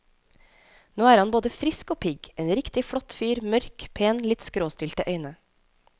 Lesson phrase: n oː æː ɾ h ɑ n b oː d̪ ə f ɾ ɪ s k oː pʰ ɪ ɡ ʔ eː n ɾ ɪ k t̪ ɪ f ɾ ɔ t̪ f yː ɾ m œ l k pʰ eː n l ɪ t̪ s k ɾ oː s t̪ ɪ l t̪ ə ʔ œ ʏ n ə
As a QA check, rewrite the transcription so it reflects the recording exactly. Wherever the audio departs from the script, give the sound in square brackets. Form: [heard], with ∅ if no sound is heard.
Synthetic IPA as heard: n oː æː ɾ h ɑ n b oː d̪ ə f ɾ ɪ s k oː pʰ ɪ ɡ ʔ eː n ɾ ɪ k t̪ ɪ f [ɽ] ɔ t̪ f yː ɾ m œ [ɾ] k pʰ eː n l ɪ t̪ s k ɾ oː s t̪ ɪ l t̪ ə ʔ œ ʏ n ə